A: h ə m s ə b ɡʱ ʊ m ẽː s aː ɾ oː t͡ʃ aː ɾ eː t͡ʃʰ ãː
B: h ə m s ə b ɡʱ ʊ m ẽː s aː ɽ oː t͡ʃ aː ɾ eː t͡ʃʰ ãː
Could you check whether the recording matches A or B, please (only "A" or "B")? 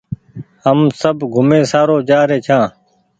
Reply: A